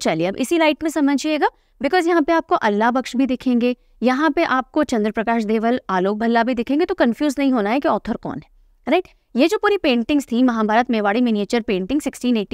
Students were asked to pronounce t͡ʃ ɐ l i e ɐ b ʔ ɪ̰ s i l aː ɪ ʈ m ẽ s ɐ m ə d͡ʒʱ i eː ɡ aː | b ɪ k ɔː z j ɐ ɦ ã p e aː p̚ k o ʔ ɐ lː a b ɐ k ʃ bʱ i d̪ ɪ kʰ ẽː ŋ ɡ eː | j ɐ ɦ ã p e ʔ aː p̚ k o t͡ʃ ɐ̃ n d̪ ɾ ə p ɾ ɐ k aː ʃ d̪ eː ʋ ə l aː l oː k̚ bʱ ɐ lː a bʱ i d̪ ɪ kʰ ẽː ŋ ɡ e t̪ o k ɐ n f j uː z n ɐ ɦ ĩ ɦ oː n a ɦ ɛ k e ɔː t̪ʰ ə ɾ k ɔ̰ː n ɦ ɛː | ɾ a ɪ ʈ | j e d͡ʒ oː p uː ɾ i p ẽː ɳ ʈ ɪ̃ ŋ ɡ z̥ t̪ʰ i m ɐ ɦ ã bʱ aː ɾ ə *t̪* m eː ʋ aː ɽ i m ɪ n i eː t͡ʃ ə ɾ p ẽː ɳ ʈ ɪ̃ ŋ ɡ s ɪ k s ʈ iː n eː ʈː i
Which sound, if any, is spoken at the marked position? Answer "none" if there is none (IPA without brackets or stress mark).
t̪